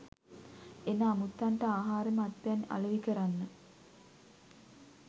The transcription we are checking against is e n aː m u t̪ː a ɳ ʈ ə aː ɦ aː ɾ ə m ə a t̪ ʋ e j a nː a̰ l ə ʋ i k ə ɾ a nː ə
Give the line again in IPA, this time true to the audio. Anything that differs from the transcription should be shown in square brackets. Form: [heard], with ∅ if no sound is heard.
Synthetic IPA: e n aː m u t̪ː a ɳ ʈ ə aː ɦ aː ɾ ə m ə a t̪ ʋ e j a [n] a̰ l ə ʋ i k ə ɾ a nː ə